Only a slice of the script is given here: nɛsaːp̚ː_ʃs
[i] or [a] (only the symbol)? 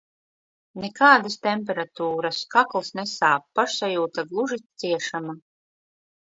a